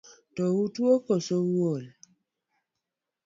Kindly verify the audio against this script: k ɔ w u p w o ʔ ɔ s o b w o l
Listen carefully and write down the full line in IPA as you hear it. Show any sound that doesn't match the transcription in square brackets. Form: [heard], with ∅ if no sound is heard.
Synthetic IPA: [t] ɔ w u [t] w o [k] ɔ s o [w] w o l